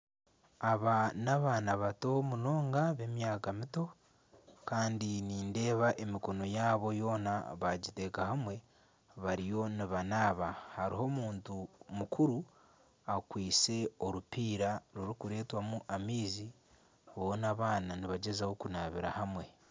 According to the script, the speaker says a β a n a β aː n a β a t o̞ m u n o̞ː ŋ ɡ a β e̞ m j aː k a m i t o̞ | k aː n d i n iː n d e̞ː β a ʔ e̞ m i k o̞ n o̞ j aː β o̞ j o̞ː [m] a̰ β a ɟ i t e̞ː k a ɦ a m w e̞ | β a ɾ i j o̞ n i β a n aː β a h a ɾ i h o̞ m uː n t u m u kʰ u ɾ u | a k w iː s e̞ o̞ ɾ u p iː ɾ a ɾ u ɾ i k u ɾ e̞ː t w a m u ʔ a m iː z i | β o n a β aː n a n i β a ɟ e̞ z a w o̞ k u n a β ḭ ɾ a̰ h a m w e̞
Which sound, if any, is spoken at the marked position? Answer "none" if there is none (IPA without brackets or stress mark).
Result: n